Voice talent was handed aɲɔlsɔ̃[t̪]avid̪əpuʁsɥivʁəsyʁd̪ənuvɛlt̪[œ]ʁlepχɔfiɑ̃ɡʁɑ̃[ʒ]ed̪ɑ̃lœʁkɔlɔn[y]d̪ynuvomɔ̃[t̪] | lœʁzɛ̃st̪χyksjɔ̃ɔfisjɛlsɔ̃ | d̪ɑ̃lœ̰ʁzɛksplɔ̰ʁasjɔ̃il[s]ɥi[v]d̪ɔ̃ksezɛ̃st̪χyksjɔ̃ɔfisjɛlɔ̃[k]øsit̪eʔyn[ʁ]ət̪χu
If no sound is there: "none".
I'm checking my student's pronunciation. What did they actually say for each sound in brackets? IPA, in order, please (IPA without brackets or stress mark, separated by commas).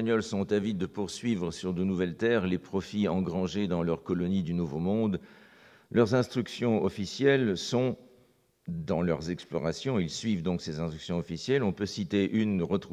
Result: t̪, ɛ, ʒ, i, d̪, s, v, p, ʁ